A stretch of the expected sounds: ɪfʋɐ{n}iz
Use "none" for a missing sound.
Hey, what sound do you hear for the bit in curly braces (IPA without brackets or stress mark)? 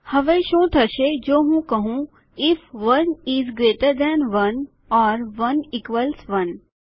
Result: n